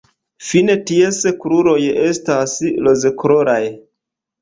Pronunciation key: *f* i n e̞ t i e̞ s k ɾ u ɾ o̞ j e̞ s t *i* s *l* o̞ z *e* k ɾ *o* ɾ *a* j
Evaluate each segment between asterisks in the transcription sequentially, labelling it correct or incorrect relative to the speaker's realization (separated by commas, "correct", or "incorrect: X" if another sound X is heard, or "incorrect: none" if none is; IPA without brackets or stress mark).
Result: correct, incorrect: a, correct, correct, correct, correct